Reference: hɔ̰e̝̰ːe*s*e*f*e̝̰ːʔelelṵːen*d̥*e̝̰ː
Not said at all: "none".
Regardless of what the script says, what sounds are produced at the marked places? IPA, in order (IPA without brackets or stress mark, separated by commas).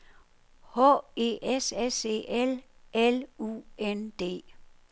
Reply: s, s, d̥